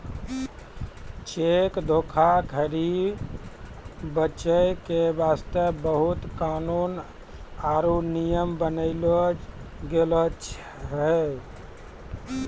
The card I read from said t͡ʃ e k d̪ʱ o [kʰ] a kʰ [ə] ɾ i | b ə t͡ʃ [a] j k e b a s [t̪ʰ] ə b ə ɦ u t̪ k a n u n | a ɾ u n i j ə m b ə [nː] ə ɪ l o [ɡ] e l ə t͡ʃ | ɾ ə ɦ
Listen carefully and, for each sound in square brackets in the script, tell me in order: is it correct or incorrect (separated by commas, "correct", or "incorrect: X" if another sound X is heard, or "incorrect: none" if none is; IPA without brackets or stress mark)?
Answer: correct, correct, incorrect: ə, incorrect: t̪, incorrect: n, correct